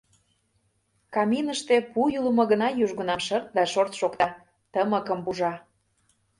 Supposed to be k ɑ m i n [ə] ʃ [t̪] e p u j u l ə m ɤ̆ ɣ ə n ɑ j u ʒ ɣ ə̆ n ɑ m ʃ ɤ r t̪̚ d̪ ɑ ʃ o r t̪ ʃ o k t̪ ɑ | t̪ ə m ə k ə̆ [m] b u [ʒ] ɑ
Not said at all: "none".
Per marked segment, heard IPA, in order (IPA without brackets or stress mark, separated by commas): ə, t̪, m, ʒ